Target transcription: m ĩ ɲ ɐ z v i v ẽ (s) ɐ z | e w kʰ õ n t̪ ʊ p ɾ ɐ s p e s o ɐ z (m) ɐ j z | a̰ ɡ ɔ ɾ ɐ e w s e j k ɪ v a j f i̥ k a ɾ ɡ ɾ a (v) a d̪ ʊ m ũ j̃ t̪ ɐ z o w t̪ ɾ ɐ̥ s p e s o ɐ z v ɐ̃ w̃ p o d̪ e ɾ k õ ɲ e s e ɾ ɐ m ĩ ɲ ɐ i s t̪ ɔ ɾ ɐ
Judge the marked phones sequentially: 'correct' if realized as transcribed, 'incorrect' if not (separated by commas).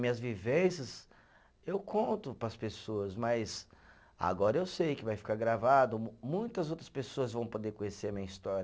correct, correct, correct